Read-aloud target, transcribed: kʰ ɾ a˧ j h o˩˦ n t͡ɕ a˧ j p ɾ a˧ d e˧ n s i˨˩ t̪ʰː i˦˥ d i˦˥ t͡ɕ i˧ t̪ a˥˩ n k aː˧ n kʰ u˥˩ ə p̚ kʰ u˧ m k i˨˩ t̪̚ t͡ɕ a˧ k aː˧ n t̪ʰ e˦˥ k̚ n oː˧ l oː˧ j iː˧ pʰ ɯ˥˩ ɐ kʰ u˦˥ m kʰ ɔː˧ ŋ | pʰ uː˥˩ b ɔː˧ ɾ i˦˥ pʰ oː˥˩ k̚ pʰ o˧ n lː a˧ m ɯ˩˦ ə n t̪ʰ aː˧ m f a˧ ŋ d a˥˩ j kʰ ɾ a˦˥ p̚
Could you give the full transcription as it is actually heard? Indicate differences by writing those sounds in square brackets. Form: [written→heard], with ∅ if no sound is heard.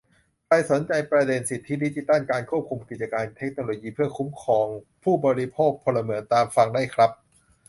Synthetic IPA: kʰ ɾ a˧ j [h→s] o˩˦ n t͡ɕ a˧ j p ɾ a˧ d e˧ n s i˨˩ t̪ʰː i˦˥ d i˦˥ t͡ɕ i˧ t̪ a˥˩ n k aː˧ n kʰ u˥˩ ə p̚ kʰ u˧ m k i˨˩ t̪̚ t͡ɕ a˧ k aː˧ n t̪ʰ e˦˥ k̚ n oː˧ l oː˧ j iː˧ pʰ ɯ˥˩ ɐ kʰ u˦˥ m kʰ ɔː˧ ŋ | pʰ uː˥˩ b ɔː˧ ɾ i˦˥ pʰ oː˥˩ k̚ pʰ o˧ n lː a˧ m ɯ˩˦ ə n [t̪ʰ→t̪] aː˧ m f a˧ ŋ d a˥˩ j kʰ ɾ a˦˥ p̚